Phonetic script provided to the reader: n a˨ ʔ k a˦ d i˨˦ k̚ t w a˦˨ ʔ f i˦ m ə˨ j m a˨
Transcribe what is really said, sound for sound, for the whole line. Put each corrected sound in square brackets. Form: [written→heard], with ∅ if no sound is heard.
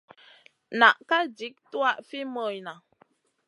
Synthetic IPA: n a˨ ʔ k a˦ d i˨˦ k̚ t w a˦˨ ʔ f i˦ m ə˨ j [m→n] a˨